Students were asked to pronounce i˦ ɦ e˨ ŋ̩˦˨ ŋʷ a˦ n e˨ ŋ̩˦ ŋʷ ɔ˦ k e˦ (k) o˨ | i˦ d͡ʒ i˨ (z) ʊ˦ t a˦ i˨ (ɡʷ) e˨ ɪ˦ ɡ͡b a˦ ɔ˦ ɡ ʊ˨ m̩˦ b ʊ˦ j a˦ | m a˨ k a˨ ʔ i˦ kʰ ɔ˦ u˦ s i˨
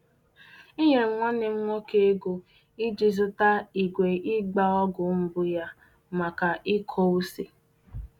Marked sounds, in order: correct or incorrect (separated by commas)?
incorrect, correct, correct